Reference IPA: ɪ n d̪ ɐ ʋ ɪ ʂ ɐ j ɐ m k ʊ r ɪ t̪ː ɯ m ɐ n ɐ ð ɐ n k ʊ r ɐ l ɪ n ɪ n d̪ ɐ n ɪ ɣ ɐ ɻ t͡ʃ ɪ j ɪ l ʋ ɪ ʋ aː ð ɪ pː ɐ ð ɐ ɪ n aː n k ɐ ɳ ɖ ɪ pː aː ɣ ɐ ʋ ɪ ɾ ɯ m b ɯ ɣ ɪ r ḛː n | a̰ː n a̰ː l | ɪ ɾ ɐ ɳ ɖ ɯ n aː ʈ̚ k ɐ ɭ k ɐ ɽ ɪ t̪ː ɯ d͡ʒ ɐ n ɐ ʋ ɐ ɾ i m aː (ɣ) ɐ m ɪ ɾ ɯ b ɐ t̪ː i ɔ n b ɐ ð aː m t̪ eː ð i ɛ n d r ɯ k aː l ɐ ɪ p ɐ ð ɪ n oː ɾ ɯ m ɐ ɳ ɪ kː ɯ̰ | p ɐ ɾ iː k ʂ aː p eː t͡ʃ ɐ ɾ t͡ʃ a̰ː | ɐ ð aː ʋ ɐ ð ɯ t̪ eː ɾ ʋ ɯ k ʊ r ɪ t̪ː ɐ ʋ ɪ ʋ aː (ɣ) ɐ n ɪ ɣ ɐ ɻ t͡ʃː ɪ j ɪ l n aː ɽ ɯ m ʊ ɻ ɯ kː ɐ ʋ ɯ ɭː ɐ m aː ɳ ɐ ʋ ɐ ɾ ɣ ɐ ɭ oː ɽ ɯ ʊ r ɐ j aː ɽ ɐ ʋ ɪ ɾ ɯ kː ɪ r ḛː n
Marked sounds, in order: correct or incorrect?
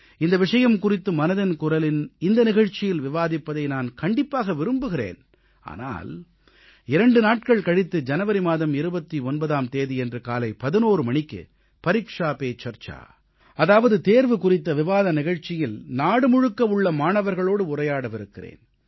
incorrect: ð, incorrect: ð

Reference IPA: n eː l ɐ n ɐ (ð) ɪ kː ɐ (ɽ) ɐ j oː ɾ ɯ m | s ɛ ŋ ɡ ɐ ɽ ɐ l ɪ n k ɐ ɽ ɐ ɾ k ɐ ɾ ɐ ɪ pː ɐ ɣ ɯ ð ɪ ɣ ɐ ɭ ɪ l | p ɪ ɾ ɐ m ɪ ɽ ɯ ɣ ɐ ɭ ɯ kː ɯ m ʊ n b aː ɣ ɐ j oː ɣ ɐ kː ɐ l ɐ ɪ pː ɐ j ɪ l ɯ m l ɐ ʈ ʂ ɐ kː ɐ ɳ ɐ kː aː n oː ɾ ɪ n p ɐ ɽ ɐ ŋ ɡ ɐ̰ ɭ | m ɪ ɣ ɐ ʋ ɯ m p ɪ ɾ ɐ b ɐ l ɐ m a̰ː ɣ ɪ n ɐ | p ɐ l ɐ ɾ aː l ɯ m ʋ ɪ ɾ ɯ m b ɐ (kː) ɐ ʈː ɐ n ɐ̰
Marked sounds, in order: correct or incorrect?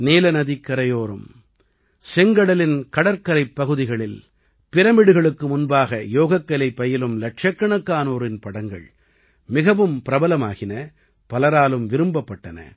correct, incorrect: ɾ, incorrect: pː

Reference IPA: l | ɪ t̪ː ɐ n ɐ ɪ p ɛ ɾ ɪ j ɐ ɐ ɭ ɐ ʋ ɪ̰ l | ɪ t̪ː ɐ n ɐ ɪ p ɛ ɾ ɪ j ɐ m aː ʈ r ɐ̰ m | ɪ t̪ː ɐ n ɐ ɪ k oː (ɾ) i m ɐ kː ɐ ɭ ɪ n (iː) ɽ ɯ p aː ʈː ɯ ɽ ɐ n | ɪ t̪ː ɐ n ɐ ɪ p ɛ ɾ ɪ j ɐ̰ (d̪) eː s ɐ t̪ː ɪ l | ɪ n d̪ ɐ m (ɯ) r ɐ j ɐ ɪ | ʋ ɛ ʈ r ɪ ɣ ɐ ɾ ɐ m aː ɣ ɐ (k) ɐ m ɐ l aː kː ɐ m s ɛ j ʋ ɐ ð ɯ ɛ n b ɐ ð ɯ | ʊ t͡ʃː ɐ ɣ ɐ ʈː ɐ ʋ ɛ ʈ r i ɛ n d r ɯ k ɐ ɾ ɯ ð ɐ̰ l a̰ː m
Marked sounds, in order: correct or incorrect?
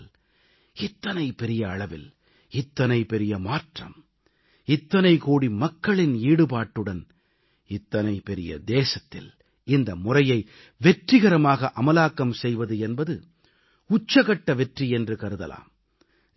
incorrect: ɽ, correct, correct, incorrect: ʊ, incorrect: ʔ

